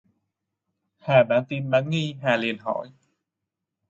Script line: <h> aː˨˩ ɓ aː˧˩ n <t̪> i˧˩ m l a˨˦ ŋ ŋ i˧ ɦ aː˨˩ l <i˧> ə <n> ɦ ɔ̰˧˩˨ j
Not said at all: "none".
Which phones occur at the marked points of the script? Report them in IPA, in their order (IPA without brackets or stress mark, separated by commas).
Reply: h, t̪, i˨˩, n